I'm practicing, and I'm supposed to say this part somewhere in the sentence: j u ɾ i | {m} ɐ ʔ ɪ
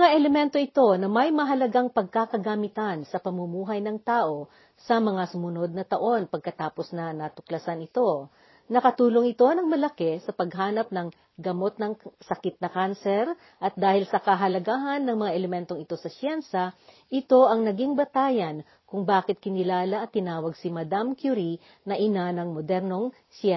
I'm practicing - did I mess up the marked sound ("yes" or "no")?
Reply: yes